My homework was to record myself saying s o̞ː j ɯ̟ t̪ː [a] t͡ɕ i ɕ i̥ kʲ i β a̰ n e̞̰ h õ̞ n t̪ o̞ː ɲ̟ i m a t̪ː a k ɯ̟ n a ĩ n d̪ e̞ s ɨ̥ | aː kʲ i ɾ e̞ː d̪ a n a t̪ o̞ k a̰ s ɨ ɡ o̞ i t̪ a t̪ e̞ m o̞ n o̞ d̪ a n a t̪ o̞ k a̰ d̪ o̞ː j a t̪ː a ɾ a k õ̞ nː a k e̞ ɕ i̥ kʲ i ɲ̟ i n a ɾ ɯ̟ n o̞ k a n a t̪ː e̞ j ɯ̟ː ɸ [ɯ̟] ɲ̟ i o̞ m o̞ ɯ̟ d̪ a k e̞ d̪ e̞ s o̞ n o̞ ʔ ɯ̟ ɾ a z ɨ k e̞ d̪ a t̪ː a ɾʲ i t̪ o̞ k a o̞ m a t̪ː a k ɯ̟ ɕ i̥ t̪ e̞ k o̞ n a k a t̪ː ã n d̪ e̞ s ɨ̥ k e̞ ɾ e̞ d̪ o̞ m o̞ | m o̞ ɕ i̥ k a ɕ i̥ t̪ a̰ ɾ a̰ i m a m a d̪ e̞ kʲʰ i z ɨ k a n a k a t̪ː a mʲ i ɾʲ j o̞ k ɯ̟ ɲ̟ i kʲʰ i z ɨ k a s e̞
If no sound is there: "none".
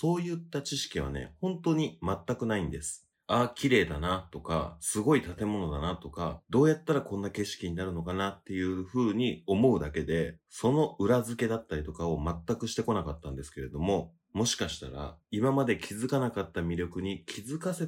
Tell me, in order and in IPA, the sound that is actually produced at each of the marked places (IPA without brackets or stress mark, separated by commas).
a, ɯ̟ː